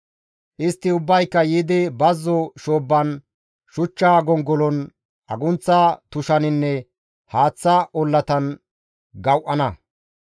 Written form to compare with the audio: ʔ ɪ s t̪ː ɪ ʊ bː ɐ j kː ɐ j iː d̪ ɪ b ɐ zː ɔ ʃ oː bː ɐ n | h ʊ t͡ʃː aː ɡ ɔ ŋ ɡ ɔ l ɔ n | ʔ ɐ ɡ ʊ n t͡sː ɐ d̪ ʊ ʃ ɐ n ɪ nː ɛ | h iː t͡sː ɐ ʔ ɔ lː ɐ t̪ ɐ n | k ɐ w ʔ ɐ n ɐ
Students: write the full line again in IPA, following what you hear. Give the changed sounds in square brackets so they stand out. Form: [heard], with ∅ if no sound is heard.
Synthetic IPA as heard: ʔ ɪ s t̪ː ɪ ʊ bː ɐ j kː ɐ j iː d̪ ɪ b ɐ zː ɔ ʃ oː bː ɐ n | [ʃ] ʊ t͡ʃː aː ɡ ɔ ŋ ɡ ɔ l ɔ n | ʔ ɐ ɡ ʊ n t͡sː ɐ [t̪] ʊ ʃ ɐ n ɪ nː ɛ | h [aː] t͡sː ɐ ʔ ɔ lː ɐ t̪ ɐ n | [ɡ] ɐ w ʔ ɐ n ɐ